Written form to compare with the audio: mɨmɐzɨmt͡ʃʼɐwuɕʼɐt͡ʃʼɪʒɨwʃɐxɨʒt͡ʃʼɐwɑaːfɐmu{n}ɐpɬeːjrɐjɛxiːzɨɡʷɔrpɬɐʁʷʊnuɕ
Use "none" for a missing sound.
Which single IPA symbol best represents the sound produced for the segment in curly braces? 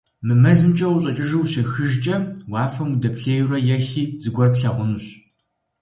d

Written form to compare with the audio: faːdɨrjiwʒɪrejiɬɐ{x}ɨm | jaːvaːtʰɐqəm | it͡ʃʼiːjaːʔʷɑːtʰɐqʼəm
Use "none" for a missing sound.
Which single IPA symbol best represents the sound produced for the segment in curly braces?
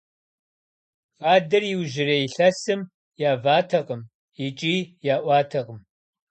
s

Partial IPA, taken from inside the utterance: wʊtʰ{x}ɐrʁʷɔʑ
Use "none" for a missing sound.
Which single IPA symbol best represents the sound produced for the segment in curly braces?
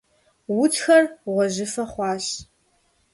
x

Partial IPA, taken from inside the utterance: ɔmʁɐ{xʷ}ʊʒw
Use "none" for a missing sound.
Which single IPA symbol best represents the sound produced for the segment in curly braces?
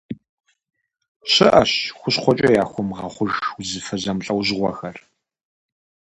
χʷ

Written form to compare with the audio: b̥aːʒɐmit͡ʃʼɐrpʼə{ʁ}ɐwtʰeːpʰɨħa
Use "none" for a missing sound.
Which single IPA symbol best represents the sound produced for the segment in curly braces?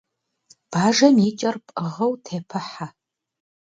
ʁ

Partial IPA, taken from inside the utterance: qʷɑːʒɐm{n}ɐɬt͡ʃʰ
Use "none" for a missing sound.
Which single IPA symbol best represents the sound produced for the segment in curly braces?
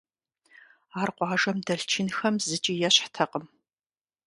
d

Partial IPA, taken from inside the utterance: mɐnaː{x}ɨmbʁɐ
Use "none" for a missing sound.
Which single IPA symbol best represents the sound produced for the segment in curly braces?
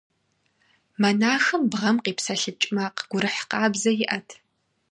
x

